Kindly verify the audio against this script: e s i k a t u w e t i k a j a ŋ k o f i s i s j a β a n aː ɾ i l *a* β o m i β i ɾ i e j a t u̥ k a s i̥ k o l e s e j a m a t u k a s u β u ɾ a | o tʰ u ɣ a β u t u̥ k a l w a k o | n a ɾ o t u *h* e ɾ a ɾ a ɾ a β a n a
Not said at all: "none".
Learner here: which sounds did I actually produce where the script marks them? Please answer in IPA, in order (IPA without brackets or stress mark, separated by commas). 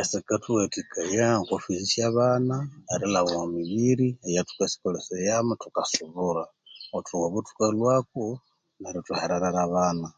a, h